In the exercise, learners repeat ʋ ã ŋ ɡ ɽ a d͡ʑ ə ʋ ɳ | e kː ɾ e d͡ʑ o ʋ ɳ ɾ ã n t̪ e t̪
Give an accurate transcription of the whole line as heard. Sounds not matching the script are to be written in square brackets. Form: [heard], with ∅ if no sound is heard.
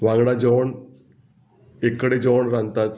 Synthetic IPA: ʋ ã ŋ ɡ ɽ a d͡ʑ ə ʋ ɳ | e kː [ɽ] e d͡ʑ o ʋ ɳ ɾ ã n t̪ [a] t̪